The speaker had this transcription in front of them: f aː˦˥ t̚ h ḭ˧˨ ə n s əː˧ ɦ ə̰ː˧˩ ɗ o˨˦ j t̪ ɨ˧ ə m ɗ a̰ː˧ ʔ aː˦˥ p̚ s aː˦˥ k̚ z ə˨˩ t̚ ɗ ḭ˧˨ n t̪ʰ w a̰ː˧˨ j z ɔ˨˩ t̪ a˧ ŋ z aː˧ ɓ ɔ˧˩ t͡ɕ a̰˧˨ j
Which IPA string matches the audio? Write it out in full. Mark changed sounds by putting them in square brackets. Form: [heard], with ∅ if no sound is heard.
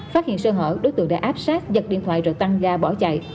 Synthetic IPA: f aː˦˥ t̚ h ḭ˧˨ ə n s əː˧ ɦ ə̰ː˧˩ ɗ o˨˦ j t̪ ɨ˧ ə [ŋ] ɗ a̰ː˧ ʔ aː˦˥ p̚ s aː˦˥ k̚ z ə˨˩ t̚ ɗ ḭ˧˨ n t̪ʰ w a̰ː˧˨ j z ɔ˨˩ t̪ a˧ ŋ z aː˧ ɓ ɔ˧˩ t͡ɕ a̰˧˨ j